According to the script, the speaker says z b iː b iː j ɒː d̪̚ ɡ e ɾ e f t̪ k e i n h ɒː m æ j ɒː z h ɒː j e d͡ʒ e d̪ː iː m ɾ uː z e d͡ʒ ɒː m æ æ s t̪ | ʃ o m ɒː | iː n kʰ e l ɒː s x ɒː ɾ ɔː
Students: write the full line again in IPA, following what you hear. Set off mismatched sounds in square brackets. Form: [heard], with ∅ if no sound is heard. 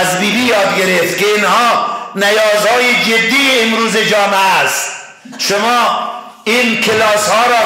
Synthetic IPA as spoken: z b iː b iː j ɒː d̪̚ ɡ e ɾ e f t̪ k e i n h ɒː [n] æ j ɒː z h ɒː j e d͡ʒ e d̪ː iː m ɾ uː z e d͡ʒ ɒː m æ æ s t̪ | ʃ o m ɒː | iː n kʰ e l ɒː s [h] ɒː ɾ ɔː